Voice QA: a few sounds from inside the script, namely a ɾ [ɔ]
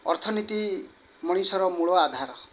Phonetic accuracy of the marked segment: correct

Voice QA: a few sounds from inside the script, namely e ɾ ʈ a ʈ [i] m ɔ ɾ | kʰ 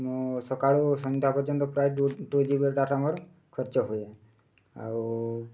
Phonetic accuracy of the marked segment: incorrect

